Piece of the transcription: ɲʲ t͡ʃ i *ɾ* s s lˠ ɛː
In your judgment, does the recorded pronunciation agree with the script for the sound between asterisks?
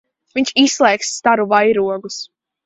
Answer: no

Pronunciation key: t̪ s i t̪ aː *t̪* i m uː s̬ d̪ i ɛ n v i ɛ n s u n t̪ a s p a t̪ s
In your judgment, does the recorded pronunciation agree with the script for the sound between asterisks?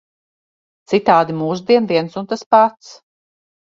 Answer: no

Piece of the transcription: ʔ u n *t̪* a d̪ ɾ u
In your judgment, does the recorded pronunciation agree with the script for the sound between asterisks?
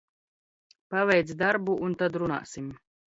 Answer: yes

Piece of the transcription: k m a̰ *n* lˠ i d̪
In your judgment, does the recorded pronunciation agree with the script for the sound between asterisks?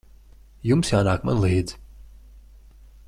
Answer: yes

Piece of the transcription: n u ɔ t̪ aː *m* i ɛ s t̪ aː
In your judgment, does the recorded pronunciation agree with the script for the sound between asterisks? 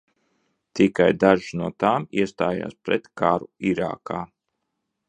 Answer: yes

